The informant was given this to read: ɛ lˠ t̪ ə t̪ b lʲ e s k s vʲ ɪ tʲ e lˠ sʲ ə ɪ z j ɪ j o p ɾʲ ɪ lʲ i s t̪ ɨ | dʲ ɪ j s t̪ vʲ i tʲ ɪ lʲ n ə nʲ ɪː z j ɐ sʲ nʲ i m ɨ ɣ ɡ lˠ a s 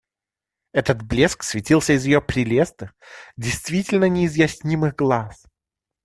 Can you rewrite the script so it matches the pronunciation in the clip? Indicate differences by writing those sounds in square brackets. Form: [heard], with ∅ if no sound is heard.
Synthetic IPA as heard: ɛ [∅] t̪ ə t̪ b lʲ e s k s vʲ ɪ tʲ [i] lˠ sʲ ə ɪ z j ɪ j o p ɾʲ ɪ lʲ [e] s t̪ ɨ | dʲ ɪ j s t̪ vʲ i tʲ ɪ lʲ n ə nʲ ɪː z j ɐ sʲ nʲ i m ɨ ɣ ɡ lˠ a s